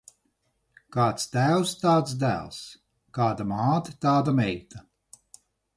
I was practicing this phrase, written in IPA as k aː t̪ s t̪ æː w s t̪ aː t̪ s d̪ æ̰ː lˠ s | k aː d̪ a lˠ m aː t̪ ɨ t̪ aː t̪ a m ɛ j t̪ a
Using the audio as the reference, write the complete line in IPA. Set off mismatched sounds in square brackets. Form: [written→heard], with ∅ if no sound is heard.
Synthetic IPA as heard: k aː t̪ s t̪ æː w s t̪ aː t̪ s d̪ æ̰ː lˠ s | k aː d̪ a [lˠ→∅] m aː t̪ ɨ t̪ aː [t̪→d̪] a m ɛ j t̪ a